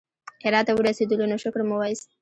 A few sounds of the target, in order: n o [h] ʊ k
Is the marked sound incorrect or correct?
incorrect